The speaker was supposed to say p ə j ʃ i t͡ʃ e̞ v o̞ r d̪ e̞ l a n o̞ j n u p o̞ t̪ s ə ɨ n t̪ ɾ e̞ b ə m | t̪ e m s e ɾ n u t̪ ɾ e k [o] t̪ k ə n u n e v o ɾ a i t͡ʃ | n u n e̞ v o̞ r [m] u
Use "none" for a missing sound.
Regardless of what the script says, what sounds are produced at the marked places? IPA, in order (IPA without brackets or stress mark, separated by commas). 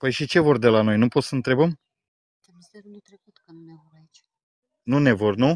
u, n